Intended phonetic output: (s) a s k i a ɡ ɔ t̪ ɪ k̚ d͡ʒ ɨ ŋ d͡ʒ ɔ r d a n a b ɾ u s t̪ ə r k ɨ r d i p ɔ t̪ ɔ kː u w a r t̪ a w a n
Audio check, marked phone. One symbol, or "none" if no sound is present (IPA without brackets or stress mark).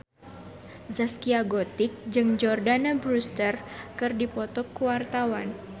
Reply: z